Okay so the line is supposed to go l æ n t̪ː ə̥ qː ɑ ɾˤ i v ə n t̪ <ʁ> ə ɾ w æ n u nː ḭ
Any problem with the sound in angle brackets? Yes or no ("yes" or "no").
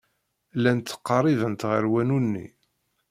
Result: no